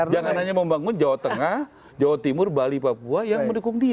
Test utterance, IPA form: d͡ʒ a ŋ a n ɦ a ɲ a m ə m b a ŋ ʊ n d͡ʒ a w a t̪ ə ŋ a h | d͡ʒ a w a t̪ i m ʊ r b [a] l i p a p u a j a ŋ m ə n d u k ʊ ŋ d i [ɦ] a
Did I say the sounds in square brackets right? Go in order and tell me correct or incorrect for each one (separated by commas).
correct, incorrect